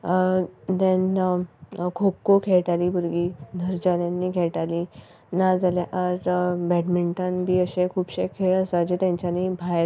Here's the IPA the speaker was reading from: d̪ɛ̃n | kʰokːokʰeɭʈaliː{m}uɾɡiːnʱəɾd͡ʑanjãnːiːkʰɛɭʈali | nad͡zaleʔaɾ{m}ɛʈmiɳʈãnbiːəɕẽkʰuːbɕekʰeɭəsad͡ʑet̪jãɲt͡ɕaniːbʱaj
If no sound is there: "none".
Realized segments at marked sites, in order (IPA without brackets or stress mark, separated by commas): b, b